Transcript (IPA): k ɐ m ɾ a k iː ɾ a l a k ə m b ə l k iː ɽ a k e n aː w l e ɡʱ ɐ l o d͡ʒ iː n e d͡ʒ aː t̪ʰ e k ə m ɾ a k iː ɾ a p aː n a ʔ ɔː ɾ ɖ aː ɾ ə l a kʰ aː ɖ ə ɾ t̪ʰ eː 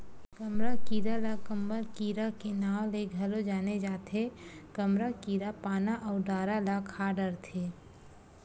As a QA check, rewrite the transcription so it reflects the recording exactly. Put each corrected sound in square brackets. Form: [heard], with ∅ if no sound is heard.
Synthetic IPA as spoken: k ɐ m ɾ a k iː ɾ a l a k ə m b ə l k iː [ɾ] a k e n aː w l e ɡʱ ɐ l o d͡ʒ [aː] n e d͡ʒ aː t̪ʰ e k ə m ɾ a k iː ɾ a p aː n a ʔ ɔː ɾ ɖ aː ɾ [a] l a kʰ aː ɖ ə ɾ t̪ʰ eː

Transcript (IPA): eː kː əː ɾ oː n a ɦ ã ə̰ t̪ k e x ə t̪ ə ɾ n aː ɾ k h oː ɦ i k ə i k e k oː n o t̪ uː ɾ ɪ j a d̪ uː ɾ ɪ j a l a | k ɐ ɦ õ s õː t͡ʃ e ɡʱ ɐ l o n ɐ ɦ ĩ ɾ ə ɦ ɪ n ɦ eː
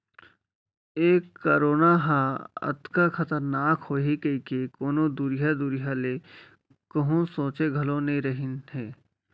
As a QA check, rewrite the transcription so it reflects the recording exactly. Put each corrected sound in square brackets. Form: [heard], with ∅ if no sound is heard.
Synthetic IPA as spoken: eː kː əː ɾ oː n a ɦ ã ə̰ t̪ k [a] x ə t̪ ə ɾ n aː [∅] k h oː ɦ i k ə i k e k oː n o [d̪] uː ɾ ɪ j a d̪ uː ɾ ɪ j a l [e] | k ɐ ɦ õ s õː t͡ʃ e ɡʱ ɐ l o n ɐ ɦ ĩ ɾ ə ɦ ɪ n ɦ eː

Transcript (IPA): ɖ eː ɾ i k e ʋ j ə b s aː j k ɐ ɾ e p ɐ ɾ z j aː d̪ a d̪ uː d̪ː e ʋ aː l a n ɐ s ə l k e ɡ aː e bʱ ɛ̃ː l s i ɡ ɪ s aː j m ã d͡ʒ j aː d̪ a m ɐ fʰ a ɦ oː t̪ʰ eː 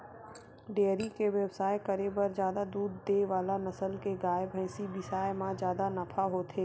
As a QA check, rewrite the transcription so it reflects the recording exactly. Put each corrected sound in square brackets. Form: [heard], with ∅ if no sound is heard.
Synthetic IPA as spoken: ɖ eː ɾ i k e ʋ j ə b s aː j k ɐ ɾ e [b] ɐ ɾ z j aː d̪ a d̪ uː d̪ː e ʋ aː l a n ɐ s ə l k e ɡ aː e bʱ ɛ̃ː [∅] s i [b] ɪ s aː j m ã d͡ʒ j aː d̪ a [n] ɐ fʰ a ɦ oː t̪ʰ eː

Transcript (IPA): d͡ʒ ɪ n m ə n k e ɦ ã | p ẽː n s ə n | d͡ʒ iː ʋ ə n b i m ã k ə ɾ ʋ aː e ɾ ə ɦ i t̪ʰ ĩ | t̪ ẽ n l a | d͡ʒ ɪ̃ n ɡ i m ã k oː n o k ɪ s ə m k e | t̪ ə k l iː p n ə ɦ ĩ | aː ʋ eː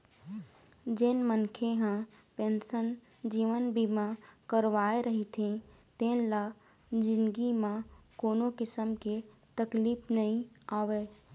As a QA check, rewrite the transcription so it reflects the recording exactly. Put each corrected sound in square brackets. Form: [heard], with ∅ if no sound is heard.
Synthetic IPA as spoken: d͡ʒ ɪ n m ə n [kʰ] e ɦ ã | p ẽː n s ə n | d͡ʒ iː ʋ ə n b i m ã k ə ɾ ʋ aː e ɾ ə ɦ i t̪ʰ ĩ | t̪ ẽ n l a | d͡ʒ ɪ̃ n ɡ i m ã k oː n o k ɪ s ə m k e | t̪ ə k l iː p n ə ɦ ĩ | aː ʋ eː

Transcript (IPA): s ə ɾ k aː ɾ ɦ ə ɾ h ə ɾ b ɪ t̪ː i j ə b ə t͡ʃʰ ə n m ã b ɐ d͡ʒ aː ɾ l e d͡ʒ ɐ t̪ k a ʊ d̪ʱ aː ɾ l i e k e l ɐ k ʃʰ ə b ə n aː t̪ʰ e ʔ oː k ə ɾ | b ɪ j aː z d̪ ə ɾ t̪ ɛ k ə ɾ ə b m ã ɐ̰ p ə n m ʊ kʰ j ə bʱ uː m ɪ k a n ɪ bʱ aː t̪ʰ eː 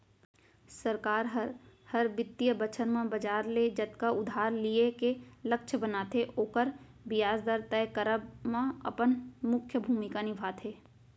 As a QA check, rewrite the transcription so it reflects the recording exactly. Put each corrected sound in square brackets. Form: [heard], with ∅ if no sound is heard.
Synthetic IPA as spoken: s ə ɾ k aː ɾ ɦ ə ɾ h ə ɾ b ɪ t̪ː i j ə b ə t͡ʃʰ ə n m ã b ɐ d͡ʒ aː ɾ l e d͡ʒ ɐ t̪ k a ʊ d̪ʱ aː ɾ l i e k e l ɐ k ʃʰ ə b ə n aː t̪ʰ e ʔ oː k ə ɾ | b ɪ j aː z d̪ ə ɾ t̪ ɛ k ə ɾ ə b m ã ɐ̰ p ə n m ʊ kʰ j ə bʱ uː m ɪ k a n ɪ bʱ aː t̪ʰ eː

